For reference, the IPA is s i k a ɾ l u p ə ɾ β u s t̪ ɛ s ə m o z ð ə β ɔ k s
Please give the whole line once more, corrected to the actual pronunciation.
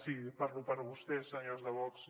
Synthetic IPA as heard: s i p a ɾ l u p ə ɾ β u s t̪ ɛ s ə ɲ o z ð ə β ɔ k s